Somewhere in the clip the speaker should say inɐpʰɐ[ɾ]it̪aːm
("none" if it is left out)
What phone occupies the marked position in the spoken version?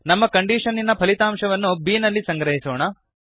l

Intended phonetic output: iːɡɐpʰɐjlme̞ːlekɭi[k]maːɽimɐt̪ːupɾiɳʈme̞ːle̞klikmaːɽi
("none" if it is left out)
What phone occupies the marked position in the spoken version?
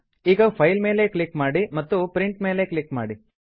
k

